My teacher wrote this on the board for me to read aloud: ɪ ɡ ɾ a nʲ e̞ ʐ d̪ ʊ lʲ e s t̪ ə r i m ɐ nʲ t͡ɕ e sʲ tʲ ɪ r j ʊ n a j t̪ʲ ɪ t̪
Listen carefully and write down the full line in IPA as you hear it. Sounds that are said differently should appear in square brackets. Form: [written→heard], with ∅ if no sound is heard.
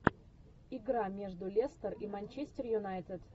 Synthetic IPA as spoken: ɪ ɡ ɾ a [nʲ→mʲ] e̞ ʐ d̪ ʊ lʲ e s t̪ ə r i m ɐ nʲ t͡ɕ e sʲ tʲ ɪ r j ʊ n a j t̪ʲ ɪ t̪